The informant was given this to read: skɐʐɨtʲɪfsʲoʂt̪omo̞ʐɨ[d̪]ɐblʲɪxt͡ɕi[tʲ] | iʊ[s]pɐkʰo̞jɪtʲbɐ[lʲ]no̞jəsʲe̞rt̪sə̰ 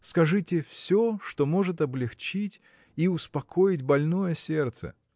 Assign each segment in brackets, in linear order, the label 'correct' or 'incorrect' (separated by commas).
incorrect, correct, correct, correct